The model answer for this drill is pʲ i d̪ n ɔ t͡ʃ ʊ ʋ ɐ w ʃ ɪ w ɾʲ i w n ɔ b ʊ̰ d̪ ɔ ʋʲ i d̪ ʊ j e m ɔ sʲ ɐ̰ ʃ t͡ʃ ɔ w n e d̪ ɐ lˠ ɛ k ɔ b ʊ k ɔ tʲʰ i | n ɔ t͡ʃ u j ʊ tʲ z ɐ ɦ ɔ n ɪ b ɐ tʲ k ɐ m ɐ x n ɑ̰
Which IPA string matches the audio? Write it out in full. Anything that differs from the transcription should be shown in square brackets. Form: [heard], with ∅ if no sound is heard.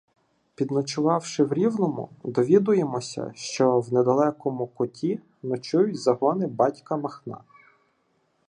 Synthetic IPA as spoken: pʲ i d̪ n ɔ t͡ʃ ʊ ʋ [ɑ] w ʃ ɪ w ɾʲ i w n ɔ [m] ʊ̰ d̪ ɔ ʋʲ i d̪ ʊ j e m ɔ sʲ ɐ̰ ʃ t͡ʃ ɔ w n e d̪ ɐ lˠ ɛ k ɔ [m] ʊ k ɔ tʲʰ i | n ɔ t͡ʃ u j ʊ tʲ z ɐ ɦ ɔ n ɪ b [ɑ] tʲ k ɐ m ɐ x n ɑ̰

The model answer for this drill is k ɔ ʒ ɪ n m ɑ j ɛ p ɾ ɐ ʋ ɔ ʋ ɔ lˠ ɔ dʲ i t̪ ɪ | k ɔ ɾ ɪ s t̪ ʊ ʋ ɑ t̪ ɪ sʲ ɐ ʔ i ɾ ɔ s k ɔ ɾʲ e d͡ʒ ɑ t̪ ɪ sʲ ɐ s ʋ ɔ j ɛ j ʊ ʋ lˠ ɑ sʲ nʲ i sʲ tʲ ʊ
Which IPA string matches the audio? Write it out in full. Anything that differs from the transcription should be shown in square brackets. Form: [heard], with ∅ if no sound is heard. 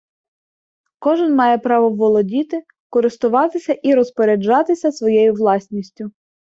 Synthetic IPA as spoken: k ɔ ʒ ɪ n m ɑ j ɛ p ɾ [ɑ] ʋ ɔ ʋ ɔ lˠ ɔ dʲ i t̪ ɪ | k ɔ ɾ ɪ s t̪ ʊ ʋ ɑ t̪ ɪ sʲ ɐ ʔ i ɾ ɔ s [p] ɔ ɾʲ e d͡ʒ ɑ t̪ ɪ sʲ ɐ s ʋ ɔ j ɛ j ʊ ʋ lˠ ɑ sʲ nʲ i sʲ tʲ ʊ

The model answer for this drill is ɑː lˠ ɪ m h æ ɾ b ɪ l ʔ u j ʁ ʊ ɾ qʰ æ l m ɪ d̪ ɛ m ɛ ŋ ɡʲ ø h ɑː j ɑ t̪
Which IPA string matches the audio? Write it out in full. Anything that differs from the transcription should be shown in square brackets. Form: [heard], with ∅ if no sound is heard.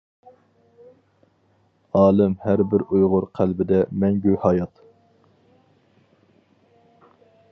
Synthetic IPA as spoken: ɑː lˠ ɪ m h æ ɾ b ɪ [ɾ] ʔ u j ʁ ʊ ɾ qʰ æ l [b] ɪ d̪ ɛ m ɛ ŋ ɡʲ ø h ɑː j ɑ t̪

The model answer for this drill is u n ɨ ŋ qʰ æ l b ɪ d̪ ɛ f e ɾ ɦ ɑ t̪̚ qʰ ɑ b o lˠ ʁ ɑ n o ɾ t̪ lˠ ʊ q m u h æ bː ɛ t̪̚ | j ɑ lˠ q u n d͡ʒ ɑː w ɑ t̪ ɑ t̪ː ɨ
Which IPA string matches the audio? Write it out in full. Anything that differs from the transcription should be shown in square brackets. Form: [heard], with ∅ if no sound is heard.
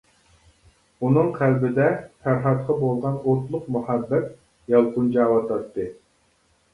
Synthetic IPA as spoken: u n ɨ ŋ qʰ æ l b ɪ d̪ ɛ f [æ] ɾ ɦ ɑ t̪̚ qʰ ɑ b o lˠ ʁ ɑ n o ɾ t̪ lˠ ʊ q m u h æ bː ɛ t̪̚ | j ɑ lˠ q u n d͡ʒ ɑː w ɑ t̪ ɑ t̪ː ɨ

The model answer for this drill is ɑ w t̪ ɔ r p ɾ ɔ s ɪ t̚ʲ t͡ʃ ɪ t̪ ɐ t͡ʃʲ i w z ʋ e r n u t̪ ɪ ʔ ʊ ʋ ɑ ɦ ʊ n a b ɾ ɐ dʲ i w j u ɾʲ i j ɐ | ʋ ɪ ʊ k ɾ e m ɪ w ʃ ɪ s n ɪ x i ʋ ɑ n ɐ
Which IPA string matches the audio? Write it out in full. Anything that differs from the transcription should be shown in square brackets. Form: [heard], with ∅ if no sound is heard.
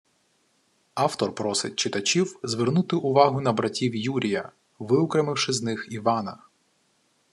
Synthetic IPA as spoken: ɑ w t̪ ɔ r p ɾ ɔ s ɪ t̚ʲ t͡ʃ ɪ t̪ ɐ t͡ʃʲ i w z ʋ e r n u t̪ ɪ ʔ ʊ ʋ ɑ ɦ ʊ n [ɐ] b ɾ ɐ [tʲ] i w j u ɾʲ i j ɐ | ʋ ɪ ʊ k ɾ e m ɪ w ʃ ɪ [z] n ɪ x i ʋ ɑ n ɐ

